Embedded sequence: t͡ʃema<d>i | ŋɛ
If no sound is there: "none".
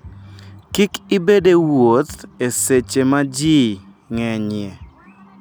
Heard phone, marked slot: d͡ʒ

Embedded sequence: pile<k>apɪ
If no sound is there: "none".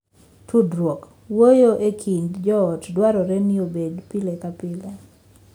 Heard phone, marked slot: k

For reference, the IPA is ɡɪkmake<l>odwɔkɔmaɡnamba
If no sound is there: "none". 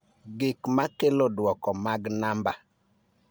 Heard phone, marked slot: l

